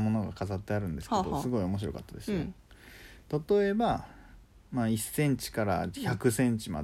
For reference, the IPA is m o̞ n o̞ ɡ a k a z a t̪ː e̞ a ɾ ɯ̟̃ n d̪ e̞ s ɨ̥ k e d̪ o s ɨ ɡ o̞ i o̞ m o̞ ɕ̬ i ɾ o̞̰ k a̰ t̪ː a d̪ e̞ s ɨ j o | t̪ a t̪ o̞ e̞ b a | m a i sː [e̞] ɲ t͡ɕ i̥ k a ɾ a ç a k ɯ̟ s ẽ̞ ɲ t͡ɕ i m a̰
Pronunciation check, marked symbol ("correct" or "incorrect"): incorrect